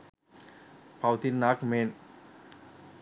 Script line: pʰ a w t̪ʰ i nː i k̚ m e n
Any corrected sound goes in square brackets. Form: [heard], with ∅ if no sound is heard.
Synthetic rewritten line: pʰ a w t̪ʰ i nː [a] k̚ m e n